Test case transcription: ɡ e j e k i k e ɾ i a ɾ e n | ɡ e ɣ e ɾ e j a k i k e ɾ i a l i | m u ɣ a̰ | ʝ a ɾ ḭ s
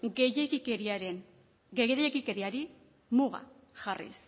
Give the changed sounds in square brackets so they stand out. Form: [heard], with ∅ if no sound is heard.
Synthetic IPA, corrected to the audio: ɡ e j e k i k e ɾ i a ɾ e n | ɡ e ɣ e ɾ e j [e] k i k e ɾ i a [ɾ] i | m u ɣ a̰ | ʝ a [r] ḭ s